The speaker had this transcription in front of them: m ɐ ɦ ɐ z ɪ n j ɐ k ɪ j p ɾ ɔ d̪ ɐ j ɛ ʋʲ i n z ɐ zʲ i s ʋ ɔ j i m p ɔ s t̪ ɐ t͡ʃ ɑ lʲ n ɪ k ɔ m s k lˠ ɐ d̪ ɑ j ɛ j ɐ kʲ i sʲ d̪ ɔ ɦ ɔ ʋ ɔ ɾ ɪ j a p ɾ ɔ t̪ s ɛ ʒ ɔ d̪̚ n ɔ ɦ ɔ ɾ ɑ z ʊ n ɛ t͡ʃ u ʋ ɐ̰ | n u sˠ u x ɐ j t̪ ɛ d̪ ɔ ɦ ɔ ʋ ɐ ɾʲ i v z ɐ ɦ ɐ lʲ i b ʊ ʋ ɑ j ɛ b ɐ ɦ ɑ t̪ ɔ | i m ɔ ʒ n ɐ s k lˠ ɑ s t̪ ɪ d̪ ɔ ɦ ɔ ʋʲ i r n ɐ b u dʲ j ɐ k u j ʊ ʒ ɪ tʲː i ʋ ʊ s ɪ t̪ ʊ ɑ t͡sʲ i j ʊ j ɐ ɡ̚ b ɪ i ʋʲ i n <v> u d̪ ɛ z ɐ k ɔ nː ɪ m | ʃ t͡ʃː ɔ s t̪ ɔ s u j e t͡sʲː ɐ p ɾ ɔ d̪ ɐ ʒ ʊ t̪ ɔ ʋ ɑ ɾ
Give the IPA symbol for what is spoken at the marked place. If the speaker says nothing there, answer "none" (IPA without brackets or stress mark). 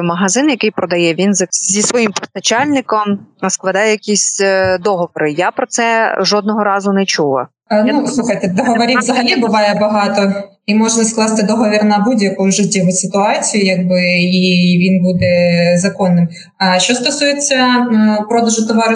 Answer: b